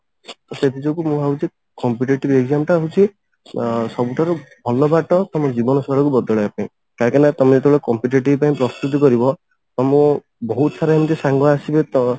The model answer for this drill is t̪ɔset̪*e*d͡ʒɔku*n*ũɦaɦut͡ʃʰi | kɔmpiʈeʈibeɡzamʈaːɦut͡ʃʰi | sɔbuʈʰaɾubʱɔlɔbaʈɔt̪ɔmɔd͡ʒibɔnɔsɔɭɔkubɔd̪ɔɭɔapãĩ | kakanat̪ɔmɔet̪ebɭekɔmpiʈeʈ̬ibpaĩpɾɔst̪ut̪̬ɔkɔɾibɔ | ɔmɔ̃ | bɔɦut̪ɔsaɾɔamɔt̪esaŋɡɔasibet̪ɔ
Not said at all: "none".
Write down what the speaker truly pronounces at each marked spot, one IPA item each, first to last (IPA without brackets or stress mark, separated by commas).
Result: i, m